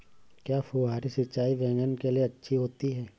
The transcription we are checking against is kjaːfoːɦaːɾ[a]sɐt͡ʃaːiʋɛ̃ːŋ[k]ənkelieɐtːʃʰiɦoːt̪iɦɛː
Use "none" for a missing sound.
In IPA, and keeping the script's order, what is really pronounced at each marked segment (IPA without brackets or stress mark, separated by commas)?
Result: i, ɡ